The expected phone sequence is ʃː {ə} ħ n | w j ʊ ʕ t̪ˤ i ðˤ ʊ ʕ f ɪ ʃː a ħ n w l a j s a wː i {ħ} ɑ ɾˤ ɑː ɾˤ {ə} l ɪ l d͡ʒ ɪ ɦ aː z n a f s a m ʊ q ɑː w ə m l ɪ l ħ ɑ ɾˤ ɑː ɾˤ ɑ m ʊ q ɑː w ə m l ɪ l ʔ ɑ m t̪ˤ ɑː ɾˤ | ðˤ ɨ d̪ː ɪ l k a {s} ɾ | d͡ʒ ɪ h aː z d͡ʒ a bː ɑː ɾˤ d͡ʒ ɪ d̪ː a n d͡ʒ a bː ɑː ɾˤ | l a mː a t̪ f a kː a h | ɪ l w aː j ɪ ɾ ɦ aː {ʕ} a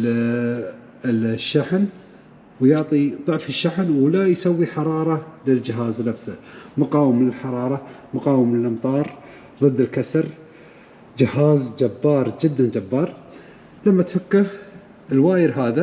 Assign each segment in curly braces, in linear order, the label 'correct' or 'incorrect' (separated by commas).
incorrect, correct, incorrect, correct, incorrect